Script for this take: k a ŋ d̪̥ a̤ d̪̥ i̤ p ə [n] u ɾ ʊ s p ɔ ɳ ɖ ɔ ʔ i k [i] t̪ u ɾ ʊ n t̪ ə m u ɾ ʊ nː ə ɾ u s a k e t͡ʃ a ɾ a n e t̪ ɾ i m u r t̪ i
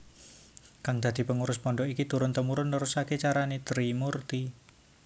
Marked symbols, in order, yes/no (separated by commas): no, yes